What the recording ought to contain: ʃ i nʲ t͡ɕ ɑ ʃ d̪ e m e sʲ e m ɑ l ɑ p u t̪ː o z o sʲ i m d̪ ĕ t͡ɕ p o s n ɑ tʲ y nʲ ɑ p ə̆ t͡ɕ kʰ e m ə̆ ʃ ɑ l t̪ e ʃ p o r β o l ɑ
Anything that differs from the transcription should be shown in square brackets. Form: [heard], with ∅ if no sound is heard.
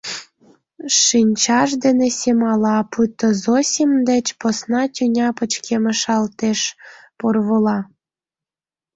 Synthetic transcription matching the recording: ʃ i nʲ t͡ɕ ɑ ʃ d̪ e [n] e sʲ e m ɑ l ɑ p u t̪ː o z o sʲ i m d̪ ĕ t͡ɕ p o s n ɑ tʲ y nʲ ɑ p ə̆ t͡ɕ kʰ e m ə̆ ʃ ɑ l t̪ e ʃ p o r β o l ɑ